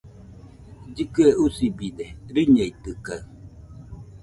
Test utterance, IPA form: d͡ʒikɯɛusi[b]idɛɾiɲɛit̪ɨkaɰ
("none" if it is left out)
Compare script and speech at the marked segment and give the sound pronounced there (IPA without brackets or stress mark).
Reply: b